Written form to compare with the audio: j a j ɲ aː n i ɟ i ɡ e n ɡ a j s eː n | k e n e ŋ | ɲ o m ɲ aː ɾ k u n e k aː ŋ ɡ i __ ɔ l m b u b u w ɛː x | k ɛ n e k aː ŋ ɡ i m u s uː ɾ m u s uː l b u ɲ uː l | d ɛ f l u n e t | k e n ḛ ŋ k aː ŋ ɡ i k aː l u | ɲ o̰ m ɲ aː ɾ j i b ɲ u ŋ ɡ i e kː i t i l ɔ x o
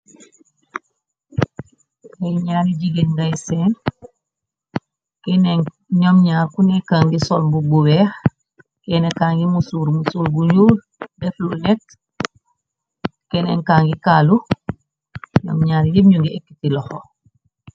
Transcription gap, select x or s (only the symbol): s